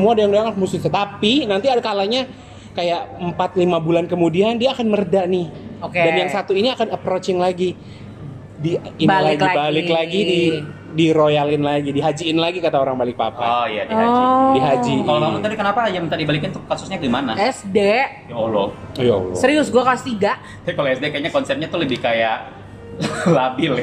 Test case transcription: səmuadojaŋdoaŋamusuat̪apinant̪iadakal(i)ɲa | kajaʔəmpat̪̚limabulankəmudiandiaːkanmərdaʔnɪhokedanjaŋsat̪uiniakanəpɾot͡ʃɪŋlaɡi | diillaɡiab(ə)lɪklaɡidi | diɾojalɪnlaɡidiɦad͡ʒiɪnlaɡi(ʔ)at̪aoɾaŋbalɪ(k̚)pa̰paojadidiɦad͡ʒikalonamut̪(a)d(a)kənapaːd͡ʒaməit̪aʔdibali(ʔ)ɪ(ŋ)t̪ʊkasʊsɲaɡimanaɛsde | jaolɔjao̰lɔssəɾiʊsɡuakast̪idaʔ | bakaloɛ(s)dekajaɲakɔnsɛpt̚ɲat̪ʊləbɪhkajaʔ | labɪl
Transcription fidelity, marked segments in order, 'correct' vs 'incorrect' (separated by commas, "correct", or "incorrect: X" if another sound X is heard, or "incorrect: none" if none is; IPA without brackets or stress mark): incorrect: a, incorrect: a, incorrect: k, correct, correct, incorrect: i, incorrect: k, incorrect: n, correct